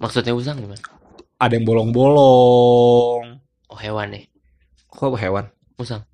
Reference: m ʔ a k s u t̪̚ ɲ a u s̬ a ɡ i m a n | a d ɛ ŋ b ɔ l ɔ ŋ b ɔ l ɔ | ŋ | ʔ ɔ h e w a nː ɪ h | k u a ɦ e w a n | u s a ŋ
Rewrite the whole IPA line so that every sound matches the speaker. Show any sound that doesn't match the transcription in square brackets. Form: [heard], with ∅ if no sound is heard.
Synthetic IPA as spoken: m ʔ a k s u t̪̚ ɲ a u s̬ a [ŋ] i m a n | a d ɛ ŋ b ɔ l ɔ ŋ b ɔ l ɔ | ŋ | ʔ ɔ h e w a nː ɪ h | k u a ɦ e w a n | u s a ŋ